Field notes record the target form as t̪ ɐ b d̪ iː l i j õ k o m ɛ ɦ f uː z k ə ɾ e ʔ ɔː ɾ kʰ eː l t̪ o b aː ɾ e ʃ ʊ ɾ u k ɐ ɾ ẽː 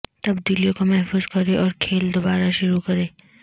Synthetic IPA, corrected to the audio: t̪ ɐ b d̪ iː l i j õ k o m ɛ ɦ f uː z k ɐ ɾ e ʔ ɔː ɾ kʰ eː l d̪ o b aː ɾ a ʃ ʊ ɾ u k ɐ ɾ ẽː